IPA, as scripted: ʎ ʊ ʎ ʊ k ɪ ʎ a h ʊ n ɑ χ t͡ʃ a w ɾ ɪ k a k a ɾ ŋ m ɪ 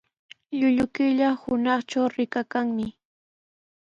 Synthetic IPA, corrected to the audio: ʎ ʊ ʎ ʊ k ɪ ʎ a h ʊ n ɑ χ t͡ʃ a w ɾ ɪ k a k a ŋ m ɪ